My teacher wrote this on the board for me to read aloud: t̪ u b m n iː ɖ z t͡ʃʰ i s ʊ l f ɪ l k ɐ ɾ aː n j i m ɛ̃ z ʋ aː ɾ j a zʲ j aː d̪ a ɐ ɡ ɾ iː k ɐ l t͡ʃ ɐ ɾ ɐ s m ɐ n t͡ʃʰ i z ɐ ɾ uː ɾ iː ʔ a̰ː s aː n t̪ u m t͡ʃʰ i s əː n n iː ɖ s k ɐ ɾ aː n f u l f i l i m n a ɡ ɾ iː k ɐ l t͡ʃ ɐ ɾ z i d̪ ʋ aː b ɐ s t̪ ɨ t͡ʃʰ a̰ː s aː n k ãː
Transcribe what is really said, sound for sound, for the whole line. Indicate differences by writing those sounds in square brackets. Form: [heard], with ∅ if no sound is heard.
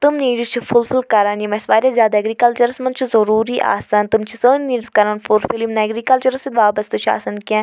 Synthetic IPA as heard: t̪ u [∅] m n iː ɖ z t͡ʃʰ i [f] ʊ l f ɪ l k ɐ ɾ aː n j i m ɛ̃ [s] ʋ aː ɾ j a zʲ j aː d̪ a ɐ ɡ ɾ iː k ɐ l t͡ʃ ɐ ɾ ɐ s m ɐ n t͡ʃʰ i z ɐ ɾ uː ɾ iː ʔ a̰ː s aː n t̪ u m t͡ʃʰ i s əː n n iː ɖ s k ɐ ɾ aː n f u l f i l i m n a ɡ ɾ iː k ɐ l t͡ʃ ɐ ɾ [s] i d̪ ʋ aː b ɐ s t̪ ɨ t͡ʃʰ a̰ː s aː n k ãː